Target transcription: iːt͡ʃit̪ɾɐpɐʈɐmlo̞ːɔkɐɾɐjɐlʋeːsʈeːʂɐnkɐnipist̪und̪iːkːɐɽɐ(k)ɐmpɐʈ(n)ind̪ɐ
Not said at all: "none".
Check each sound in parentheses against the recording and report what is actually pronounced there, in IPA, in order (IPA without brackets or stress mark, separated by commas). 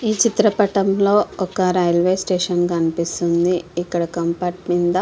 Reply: k, m